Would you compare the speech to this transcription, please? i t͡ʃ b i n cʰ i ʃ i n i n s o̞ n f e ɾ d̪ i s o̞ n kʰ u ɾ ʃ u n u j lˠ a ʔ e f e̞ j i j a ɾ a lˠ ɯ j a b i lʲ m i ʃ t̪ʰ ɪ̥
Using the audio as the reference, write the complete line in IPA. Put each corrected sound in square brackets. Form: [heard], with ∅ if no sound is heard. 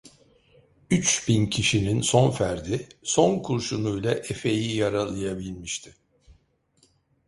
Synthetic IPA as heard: [y] t͡ʃ b i n cʰ i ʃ i n i n s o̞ n f [æ] ɾ d̪ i s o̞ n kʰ u ɾ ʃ u n u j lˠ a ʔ e f e̞ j i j a ɾ a lˠ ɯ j a b i lʲ m i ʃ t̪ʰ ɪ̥

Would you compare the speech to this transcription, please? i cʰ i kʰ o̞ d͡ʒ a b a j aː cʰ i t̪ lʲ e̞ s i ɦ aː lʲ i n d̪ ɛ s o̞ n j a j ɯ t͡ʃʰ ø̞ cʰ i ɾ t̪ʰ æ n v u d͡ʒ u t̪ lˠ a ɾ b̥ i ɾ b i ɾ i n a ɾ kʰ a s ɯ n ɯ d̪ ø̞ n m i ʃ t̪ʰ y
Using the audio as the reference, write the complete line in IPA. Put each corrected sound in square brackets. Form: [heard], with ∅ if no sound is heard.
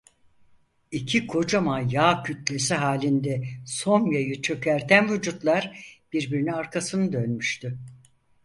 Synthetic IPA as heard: i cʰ i kʰ o̞ d͡ʒ a [m] a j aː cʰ [y] t̪ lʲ e̞ s i ɦ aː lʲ i n d̪ ɛ s o̞ n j a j ɯ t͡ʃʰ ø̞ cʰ [æ] ɾ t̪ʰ æ n v u d͡ʒ u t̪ lˠ a ɾ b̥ i ɾ b i ɾ i n a ɾ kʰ a s ɯ n ɯ d̪ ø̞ n m [y] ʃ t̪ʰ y

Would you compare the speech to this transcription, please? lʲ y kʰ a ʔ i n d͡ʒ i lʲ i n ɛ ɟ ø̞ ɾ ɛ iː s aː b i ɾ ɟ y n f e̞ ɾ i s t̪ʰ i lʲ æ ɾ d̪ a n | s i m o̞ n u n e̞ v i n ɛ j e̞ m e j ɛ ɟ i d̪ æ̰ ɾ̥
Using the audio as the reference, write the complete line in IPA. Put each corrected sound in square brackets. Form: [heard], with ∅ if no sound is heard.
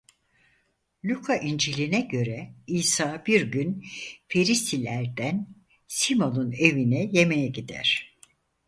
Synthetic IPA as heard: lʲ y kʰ a ʔ i n d͡ʒ i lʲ i n ɛ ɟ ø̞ ɾ ɛ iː s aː b i ɾ ɟ y n f e̞ ɾ i s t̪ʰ i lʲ æ ɾ d̪ [æ] n | s i m o̞ n u n e̞ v i n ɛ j e̞ m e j ɛ ɟ i d̪ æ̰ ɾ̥

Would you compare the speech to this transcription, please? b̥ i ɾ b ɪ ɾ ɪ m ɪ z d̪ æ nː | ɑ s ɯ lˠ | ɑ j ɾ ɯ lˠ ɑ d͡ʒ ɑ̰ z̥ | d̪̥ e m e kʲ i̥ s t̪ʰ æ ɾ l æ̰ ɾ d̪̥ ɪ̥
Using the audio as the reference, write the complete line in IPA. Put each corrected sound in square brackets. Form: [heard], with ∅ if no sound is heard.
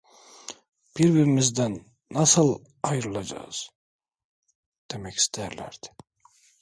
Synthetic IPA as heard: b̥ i ɾ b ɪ ɾ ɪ m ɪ z d̪ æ nː | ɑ s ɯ lˠ | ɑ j ɾ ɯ lˠ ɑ d͡ʒ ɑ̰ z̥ | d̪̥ e m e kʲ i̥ s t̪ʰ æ ɾ l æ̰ ɾ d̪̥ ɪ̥

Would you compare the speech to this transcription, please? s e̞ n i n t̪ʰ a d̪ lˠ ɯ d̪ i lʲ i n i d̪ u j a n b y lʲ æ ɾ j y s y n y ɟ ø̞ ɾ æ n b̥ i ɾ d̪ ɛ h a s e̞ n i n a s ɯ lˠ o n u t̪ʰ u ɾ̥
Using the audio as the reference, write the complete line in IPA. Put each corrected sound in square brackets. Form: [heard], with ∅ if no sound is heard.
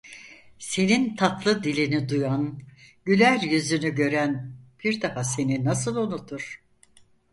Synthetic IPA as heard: s e̞ n i n t̪ʰ a [t̪] lˠ ɯ d̪ i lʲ i n i d̪ u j a n [ɟ] y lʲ æ ɾ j y [z] y n y ɟ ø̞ ɾ æ n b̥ i ɾ d̪ [a] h a s e̞ n i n a s ɯ lˠ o n u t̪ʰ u ɾ̥

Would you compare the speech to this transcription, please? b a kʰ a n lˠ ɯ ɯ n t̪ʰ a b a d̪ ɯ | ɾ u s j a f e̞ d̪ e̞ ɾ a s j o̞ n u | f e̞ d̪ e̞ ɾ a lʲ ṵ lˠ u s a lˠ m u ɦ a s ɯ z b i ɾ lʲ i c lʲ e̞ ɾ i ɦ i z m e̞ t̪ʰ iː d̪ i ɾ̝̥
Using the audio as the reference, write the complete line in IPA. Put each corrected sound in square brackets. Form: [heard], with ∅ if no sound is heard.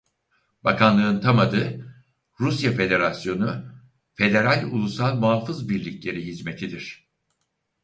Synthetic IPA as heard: b a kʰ a n lˠ ɯ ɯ n t̪ʰ a [m] a d̪ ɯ | ɾ u s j a f e̞ d̪ e̞ ɾ a s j o̞ n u | f e̞ d̪ e̞ ɾ a lʲ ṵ lˠ u s a lˠ m u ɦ a [f] ɯ z b i ɾ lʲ i c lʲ e̞ ɾ i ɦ i z m e̞ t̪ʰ [i] d̪ i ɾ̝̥

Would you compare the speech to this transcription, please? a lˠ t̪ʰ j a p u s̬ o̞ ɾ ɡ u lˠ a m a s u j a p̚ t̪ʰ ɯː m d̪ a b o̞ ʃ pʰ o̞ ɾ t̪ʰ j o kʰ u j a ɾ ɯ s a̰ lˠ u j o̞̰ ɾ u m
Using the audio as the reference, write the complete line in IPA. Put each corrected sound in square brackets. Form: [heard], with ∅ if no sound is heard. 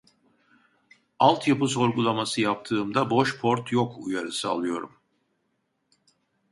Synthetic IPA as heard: a lˠ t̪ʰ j a p [ɯ] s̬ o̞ ɾ ɡ u lˠ a m a s [ɯ] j a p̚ t̪ʰ ɯː m d̪ a b o̞ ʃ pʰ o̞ ɾ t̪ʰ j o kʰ u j a ɾ ɯ s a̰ lˠ [ɯ] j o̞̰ ɾ u m

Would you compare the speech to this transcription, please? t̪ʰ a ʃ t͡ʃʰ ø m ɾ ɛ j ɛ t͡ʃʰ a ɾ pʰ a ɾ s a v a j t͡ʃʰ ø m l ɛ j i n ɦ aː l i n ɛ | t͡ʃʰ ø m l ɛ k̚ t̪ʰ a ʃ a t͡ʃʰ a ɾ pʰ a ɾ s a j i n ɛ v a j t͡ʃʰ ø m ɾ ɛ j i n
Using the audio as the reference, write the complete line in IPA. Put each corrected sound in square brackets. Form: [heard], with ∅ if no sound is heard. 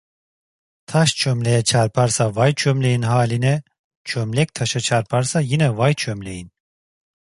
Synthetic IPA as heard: t̪ʰ a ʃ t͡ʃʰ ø m [l] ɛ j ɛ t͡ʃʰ a ɾ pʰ a ɾ s a v a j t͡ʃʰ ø m l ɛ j i n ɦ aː l i n ɛ | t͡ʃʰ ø m l ɛ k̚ t̪ʰ a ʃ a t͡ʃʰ a ɾ pʰ a ɾ s a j i n ɛ v a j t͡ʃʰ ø m [l] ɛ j i n

